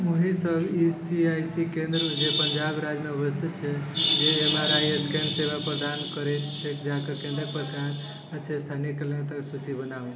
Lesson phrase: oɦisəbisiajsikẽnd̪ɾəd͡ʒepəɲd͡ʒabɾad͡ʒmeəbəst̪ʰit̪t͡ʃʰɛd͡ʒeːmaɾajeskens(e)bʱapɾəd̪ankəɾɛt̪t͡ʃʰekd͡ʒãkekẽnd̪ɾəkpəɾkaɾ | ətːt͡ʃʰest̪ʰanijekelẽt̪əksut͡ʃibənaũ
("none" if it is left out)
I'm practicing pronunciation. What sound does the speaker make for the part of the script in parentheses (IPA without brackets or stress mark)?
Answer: e